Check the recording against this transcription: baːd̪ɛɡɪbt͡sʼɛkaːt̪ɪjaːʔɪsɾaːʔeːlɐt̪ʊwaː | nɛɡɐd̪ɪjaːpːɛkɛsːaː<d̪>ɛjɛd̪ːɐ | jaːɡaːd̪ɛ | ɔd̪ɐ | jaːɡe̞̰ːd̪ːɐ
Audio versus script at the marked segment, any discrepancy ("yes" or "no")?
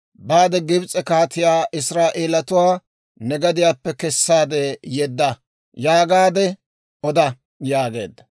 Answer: no